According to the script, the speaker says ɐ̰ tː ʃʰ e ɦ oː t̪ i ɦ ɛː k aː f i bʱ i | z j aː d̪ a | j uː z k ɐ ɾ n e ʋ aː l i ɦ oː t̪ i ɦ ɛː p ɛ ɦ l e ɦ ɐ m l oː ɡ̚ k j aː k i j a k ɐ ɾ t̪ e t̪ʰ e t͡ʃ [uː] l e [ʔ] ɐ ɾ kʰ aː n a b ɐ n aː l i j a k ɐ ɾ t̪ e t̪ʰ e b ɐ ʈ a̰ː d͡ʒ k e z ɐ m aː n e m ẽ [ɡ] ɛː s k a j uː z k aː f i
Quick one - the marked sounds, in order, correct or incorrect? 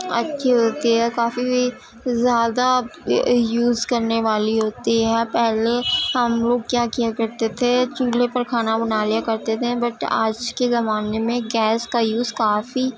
correct, incorrect: p, correct

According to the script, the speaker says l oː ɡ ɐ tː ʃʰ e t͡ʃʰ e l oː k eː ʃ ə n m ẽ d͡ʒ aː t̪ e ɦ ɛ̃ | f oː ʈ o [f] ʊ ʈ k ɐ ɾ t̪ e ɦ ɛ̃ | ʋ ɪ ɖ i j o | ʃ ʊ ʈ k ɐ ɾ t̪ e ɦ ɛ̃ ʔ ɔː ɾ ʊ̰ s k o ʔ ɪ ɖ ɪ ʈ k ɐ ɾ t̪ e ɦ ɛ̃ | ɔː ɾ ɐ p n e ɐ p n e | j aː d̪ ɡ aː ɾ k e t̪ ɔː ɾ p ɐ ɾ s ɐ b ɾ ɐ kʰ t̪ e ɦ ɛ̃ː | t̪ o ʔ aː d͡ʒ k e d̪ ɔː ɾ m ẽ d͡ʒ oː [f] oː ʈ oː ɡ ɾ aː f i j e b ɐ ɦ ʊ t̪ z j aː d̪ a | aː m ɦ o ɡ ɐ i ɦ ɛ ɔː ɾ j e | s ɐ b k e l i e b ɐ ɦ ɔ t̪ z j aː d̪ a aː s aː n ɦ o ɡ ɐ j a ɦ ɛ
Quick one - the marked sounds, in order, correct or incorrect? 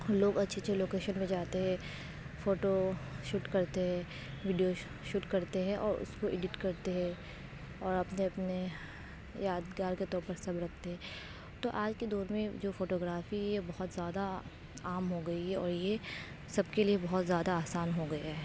incorrect: ʃ, correct

